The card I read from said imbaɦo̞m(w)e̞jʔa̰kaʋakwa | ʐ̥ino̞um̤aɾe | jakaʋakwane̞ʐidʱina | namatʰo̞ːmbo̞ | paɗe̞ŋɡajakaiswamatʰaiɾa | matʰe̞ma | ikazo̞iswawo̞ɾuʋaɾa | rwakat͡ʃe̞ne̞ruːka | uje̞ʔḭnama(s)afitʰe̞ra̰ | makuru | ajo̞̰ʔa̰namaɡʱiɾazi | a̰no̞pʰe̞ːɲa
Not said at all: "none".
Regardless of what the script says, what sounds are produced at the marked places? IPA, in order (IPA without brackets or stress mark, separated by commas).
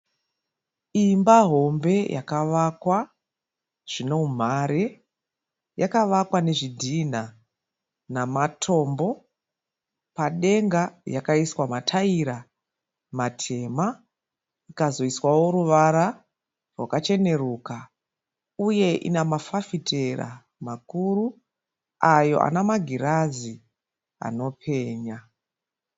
b, f